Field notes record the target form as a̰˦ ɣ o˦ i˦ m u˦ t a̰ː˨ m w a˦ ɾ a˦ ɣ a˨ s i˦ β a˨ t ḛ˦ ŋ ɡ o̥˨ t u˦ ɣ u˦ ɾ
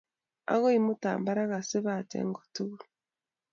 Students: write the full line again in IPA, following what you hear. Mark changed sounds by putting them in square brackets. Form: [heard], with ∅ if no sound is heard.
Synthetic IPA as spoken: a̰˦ ɣ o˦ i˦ m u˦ t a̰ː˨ m [b] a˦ ɾ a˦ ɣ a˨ s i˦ β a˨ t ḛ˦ ŋ ɡ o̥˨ t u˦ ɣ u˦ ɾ